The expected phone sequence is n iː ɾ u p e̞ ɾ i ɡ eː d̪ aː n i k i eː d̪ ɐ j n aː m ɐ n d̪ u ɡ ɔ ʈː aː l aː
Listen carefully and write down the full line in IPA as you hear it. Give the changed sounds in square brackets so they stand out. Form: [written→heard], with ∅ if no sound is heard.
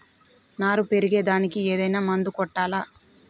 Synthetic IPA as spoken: n [iː→aː] ɾ u p e̞ ɾ i ɡ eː d̪ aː n i k i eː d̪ ɐ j n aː m ɐ n d̪ u [ɡ→k] ɔ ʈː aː l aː